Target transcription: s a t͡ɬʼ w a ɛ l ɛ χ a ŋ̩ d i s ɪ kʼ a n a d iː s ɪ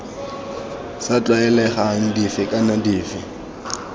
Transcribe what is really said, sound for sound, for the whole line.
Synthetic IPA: s a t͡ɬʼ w a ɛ l ɛ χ a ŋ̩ d i f ɪ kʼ a n a d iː f ɪ